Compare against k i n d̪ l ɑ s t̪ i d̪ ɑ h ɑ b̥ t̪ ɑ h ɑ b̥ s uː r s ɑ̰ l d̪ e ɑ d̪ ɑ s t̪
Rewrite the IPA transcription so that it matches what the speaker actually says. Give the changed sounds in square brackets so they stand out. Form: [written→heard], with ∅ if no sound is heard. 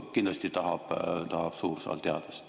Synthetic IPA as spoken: k i n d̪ l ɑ s t̪ i [d̪→t̪] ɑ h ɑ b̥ t̪ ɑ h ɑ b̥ s uː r s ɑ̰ l [d̪→t̪] e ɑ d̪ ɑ s t̪